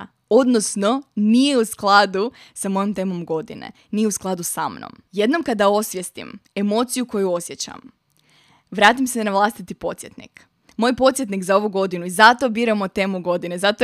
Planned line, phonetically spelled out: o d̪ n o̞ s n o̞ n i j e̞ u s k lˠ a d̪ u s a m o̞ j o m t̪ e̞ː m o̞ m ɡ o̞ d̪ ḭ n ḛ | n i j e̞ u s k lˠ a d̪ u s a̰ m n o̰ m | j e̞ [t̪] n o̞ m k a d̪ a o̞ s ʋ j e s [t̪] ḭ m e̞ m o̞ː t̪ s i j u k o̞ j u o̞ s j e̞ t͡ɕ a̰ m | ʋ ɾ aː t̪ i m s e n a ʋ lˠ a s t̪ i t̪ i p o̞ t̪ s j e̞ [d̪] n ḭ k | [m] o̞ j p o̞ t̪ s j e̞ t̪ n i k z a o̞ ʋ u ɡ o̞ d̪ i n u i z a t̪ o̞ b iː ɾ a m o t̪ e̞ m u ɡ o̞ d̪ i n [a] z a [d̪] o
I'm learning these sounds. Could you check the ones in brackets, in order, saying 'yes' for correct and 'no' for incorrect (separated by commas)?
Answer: no, yes, no, yes, no, no